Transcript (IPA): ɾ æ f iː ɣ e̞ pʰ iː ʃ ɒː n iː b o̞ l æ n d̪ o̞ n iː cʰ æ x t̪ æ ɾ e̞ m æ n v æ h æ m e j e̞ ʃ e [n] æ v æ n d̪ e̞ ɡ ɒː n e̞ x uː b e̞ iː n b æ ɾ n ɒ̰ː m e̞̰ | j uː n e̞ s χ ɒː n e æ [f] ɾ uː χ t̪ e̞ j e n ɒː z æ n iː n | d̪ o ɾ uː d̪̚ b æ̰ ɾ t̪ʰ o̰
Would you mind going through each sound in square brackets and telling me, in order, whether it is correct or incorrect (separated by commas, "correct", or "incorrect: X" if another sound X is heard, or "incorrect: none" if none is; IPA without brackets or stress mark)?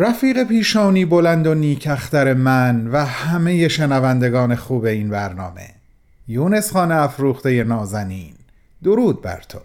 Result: correct, correct